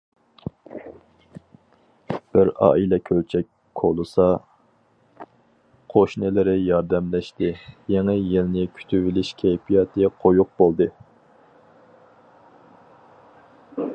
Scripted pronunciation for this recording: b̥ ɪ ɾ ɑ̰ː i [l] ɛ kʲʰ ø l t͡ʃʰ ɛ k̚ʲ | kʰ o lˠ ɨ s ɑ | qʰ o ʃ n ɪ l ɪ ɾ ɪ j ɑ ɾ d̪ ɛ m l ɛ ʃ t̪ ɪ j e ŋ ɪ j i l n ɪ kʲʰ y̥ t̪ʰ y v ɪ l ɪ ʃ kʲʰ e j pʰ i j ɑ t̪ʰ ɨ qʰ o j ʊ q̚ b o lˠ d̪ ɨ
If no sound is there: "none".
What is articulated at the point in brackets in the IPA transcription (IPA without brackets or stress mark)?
l